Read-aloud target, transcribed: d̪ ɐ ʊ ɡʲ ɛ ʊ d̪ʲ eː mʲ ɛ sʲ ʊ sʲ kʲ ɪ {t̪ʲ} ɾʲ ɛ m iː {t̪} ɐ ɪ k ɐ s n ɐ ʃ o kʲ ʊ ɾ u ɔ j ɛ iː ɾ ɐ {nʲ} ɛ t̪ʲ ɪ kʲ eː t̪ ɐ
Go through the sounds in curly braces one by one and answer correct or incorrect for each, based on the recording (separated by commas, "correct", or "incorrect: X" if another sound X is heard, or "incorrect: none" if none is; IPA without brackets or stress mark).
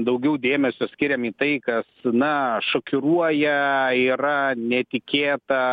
incorrect: none, correct, correct